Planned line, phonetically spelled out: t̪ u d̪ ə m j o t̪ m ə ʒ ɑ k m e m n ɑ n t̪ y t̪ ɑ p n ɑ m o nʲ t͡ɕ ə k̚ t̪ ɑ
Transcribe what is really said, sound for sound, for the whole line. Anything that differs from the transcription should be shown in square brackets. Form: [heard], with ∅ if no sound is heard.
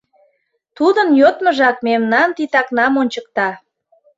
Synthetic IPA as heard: t̪ u d̪ ə [n] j o t̪ m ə ʒ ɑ k m e m n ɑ n t̪ [i] t̪ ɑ [k] n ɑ m o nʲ t͡ɕ ə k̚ t̪ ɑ

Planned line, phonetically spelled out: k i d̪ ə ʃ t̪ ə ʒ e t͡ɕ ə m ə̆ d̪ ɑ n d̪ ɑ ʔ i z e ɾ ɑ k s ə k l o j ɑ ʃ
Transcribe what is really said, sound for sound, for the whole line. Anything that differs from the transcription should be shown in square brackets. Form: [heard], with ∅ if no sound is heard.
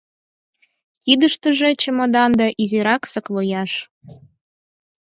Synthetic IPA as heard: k i d̪ ə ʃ t̪ ə ʒ e t͡ɕ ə m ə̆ d̪ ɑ n d̪ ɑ ʔ i z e ɾ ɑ k s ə k l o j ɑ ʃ

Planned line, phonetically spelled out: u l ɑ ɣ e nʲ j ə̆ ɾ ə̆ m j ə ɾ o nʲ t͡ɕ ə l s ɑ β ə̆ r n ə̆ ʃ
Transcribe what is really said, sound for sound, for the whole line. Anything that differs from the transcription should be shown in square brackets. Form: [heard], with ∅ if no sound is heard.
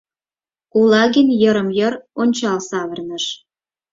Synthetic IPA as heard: u l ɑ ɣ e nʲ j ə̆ ɾ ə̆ m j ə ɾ o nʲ t͡ɕ [ɑ] l s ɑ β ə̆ r n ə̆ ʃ

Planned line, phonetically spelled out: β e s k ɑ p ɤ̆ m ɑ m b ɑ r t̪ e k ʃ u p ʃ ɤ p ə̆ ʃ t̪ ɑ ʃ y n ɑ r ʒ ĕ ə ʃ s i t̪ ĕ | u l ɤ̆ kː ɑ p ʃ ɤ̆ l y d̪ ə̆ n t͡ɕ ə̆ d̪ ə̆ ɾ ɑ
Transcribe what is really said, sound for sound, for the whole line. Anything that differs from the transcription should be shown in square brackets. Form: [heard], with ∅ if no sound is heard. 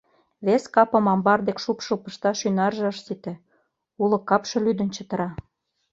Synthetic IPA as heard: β e s k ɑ p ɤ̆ m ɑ m b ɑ r [d̪] e k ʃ u p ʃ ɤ p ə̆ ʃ t̪ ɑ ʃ y n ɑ r ʒ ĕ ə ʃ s i t̪ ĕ | u l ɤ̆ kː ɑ p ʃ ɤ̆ l y d̪ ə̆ n t͡ɕ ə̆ [t̪] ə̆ ɾ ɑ

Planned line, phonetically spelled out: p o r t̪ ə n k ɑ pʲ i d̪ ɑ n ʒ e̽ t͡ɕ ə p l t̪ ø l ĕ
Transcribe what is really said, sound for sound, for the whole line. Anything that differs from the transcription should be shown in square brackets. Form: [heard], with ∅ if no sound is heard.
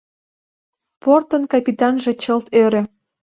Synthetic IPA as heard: p o r t̪ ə n k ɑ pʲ i [t̪] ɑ n ʒ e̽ t͡ɕ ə [∅] l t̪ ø [ɾ] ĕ

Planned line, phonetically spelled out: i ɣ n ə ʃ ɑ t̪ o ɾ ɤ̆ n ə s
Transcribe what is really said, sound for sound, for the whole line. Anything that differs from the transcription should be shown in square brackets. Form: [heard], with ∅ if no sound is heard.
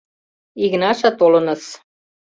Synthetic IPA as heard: i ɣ n [ɑ] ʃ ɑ t̪ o [l] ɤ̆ n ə s

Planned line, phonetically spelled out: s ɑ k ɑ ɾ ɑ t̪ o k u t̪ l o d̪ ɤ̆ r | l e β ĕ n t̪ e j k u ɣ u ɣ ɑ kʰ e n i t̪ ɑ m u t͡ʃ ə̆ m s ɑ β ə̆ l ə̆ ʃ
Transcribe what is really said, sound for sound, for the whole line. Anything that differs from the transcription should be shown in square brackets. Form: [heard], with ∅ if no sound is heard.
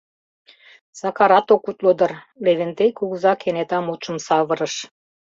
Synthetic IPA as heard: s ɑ k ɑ ɾ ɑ t̪ o k u t̪ l o d̪ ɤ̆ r | l e β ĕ n t̪ e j k u ɣ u [z] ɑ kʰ e n [e] t̪ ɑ m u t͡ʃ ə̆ m s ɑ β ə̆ [ɾ] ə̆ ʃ

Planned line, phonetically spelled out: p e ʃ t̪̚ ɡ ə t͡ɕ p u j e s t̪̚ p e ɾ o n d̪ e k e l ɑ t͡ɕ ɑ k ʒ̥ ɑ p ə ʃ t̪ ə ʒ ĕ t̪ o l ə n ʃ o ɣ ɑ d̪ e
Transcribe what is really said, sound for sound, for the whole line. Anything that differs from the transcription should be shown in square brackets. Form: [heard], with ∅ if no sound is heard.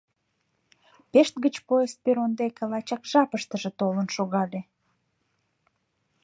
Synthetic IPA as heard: p e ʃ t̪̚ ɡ ə t͡ɕ p [o] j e s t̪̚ p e ɾ o n d̪ e k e l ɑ t͡ɕ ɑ k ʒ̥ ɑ p ə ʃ t̪ ə ʒ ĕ t̪ o l ə n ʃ o ɣ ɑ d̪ e

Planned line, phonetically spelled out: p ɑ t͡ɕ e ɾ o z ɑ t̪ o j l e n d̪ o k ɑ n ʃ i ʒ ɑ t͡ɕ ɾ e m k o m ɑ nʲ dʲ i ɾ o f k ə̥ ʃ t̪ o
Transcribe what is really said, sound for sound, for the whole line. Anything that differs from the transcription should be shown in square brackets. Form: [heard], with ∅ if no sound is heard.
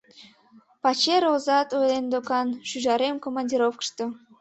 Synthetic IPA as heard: p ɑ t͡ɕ e ɾ o z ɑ t̪ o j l e n d̪ o k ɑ n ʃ [y] ʒ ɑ [∅] ɾ e m k o m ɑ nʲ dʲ i ɾ o f k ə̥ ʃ t̪ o

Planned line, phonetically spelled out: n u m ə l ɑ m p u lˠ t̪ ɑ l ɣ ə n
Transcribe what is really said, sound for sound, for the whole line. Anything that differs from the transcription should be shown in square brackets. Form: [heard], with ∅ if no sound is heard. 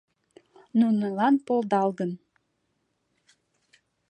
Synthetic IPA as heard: n u [n] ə l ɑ [n] p [o] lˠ [d̪] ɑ l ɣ ə n

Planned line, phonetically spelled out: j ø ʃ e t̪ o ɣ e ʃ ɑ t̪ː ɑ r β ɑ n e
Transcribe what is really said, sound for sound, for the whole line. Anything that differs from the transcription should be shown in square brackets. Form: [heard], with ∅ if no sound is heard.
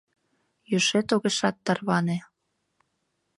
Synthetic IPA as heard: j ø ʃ e t̪ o ɣ e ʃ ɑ t̪ː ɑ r β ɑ n e

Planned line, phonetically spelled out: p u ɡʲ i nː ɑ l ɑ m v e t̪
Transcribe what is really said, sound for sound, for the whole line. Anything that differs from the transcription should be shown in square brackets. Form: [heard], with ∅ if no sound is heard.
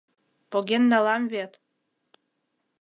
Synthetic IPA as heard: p [o] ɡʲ [e] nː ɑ l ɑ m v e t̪

